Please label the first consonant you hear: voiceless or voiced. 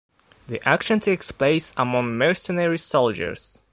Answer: voiced